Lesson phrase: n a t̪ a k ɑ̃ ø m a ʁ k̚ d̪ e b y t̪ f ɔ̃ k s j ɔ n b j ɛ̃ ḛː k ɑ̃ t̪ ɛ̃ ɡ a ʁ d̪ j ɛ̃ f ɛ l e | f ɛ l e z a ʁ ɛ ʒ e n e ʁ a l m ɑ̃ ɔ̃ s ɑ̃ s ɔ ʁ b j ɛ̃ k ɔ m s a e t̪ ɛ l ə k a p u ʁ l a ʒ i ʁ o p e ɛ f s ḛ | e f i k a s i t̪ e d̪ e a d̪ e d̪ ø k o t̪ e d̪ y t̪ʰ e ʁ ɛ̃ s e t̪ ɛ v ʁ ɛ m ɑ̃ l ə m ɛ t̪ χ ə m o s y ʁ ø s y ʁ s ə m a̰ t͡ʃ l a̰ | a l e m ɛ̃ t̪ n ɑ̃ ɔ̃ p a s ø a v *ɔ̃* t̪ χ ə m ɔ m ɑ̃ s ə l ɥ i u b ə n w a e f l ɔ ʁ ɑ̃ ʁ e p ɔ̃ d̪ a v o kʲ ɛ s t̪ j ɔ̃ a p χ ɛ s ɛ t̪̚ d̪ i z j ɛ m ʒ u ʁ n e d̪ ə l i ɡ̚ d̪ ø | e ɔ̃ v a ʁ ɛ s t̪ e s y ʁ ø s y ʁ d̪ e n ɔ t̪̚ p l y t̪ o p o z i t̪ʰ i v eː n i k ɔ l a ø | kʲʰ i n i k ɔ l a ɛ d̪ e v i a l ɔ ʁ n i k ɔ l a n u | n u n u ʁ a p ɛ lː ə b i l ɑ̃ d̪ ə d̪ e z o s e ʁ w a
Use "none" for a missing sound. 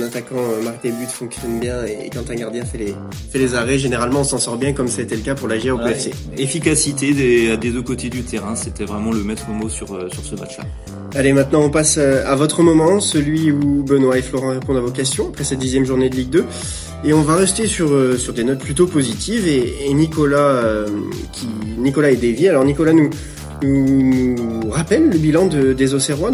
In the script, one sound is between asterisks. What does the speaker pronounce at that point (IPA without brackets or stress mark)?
ɔ